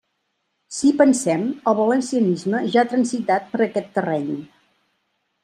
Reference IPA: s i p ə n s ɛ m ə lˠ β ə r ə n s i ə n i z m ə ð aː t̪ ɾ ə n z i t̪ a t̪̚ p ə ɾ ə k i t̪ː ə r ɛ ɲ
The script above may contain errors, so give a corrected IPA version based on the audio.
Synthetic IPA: s i p ə n s ɛ m ə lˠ β ə l ə n s i ə n i z m ə ʒ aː t̪ ɾ ə n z i t̪ a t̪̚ p ə ɾ ə k ɛ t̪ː ə r ɛ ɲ

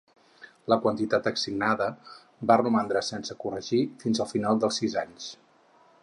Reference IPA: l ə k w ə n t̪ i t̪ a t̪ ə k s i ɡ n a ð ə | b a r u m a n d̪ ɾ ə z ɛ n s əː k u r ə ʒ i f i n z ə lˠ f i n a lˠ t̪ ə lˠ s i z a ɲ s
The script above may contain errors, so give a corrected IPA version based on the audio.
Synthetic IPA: l ə k w ə n t̪ i t̪ a t̪ ə k s i ɡ n a ð ə | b a r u m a n d̪ ɾ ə s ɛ n s ə k u r ə ʒ i f i n z ə lˠ f i n a lˠ d̪ ə lˠ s i z a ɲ s

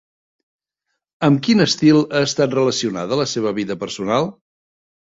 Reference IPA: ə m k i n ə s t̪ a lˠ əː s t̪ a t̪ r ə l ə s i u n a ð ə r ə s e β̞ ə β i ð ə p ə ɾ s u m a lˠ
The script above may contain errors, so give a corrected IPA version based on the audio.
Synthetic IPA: ə m k i n ə s t̪ i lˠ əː s t̪ a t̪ r ə l ə s i u n a ð ə l ə s e β̞ ə β i ð ə p ə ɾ s u n a lˠ

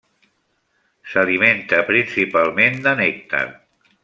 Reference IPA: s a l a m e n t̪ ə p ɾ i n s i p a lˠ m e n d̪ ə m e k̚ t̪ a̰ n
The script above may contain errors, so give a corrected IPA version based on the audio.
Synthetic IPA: s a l i m e n t̪ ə p ɾ i n s i p a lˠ m e n d̪ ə n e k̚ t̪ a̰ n

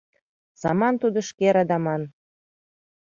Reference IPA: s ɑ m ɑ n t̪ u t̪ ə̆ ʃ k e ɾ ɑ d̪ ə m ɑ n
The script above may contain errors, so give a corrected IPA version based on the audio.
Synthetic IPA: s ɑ m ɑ n t̪ u d̪ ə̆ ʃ k e ɾ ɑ d̪ ɑ m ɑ n

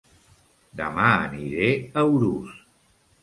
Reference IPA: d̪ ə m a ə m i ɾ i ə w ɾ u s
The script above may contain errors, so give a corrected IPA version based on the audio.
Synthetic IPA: d̪ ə m a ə n i ɾ e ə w ɾ u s

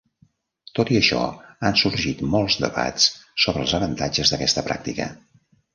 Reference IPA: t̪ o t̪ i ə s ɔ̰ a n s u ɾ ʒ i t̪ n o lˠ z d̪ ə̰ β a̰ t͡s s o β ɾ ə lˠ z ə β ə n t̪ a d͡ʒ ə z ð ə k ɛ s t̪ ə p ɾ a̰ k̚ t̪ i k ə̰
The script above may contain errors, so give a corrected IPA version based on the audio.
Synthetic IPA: t̪ o t̪ i ə ʃ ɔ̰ a n s u ɾ ʒ i t̪ m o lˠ z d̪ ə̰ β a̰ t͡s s o β ɾ ə lˠ z ə β ə n t̪ a d͡ʒ ə z ð ə k ɛ s t̪ ə p ɾ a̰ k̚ t̪ i k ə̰

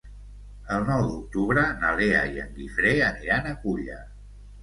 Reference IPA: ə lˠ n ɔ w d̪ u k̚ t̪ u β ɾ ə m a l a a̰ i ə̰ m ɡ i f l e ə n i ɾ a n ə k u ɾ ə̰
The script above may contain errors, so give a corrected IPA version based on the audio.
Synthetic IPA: ə lˠ n ɔ w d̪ u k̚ t̪ u β ɾ ə n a l e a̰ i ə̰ ŋ ɡ i f ɾ e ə n i ɾ a n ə k u ʎ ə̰

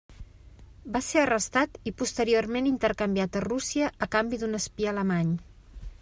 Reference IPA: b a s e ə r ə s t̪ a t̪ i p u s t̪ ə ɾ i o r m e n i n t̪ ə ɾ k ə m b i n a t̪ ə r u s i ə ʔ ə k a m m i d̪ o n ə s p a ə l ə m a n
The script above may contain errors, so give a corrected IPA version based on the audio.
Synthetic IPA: b a s e ə r ə s t̪ a t̪ i p u s t̪ ə ɾ i o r m e n i n t̪ ə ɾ k ə m b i a t̪ ə r u s i ə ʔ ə k a m b i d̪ u n ə s p i ə l ə m a ɲ

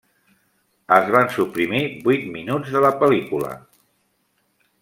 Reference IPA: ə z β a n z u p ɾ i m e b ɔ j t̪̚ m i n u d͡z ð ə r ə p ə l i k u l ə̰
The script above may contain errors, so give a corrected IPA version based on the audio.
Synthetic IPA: ə z β a n s u p ɾ i m i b u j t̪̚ m i n u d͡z ð ə l ə p ə l i k u l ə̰

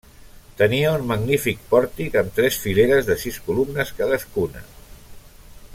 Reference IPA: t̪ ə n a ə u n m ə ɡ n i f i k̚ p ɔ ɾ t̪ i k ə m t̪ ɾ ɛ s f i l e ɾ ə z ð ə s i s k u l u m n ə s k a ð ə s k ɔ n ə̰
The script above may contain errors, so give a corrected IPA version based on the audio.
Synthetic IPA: t̪ ə n i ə u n m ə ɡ n i f i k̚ p ɔ ɾ t̪ i k ə m t̪ ɾ ɛ s f i l e ɾ ə z ð ə s i s k u l u m n ə s k a ð ə s k u n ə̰

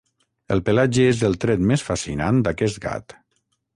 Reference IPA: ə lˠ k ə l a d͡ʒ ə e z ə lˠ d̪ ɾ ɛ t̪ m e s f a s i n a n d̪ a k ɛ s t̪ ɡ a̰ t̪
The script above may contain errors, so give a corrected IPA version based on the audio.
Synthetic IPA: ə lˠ p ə l a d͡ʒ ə e z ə lˠ t̪ ɾ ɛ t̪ m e s f a s i n a n d̪ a k ɛ s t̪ ɡ a̰ t̪

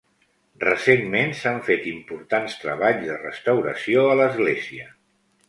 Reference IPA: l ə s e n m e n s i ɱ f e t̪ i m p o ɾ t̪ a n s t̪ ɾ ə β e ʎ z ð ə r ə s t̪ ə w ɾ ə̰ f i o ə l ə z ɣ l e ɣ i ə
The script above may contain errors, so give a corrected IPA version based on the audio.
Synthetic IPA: r ə s e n m e n s a ɱ f e t̪ i m p u ɾ t̪ a n s t̪ ɾ ə β a ʎ z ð ə r ə s t̪ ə w ɾ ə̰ s i o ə l ə z ɣ l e z i ə

